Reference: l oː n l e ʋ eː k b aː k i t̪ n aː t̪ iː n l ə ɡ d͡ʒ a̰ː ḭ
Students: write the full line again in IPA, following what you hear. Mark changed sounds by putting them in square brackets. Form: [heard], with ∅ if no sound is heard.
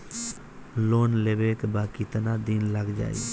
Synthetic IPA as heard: l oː n l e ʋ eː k b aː k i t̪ n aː [d̪] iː n l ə ɡ d͡ʒ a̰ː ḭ